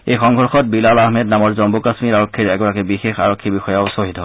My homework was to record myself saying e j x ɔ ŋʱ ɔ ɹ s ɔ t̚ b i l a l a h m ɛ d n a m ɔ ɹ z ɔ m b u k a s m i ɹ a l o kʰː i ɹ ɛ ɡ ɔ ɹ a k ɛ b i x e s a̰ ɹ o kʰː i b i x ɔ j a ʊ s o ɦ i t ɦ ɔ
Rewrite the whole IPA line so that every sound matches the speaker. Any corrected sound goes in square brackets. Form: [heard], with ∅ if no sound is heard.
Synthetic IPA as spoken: e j x ɔ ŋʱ ɔ ɹ [x] ɔ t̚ b i l a l a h m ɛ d n a m ɔ ɹ z ɔ m b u k a s m i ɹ a [ɹ] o kʰː i ɹ ɛ ɡ ɔ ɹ a k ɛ b i x e [x] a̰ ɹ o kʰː i b i x ɔ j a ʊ s o ɦ i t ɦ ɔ